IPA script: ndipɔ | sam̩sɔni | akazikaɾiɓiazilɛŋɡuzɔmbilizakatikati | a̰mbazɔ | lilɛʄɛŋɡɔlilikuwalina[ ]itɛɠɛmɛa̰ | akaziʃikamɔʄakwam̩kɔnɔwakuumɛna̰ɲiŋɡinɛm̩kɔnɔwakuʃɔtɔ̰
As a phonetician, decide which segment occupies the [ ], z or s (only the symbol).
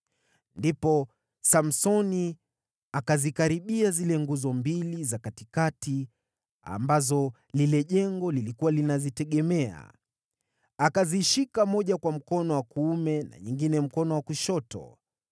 z